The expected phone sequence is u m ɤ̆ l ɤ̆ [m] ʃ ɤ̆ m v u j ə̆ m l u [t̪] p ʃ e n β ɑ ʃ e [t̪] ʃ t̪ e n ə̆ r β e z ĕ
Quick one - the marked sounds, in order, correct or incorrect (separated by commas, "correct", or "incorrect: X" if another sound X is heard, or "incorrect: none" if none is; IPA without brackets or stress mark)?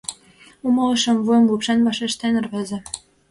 incorrect: none, incorrect: none, incorrect: none